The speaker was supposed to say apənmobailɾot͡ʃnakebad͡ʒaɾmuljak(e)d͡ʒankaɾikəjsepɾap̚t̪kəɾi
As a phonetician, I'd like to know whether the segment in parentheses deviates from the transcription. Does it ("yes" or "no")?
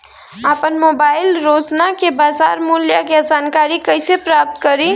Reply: no